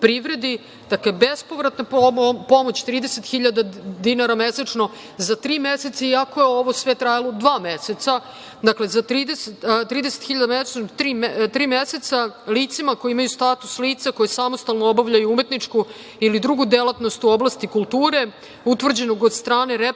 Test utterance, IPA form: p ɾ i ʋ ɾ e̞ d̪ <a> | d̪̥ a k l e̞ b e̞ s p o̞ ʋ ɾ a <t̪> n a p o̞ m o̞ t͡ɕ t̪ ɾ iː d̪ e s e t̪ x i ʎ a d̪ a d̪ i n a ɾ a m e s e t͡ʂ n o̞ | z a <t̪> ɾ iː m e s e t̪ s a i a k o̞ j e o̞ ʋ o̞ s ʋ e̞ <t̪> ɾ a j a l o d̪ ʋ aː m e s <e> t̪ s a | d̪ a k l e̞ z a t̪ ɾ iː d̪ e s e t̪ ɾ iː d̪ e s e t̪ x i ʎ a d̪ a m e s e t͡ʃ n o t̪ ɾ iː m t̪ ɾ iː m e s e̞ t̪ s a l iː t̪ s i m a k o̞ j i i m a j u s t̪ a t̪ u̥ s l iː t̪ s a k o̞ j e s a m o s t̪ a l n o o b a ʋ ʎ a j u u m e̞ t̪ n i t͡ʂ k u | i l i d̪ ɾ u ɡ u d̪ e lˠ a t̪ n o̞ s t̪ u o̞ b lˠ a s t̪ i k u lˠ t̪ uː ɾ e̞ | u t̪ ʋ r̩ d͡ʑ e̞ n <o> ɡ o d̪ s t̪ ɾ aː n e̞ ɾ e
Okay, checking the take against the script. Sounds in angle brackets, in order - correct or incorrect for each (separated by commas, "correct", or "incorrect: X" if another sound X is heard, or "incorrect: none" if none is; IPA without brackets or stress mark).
incorrect: i, correct, correct, correct, correct, correct